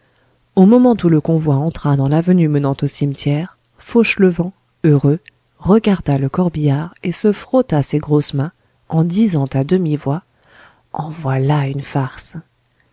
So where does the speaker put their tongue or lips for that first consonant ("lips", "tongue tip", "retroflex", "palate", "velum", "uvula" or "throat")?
lips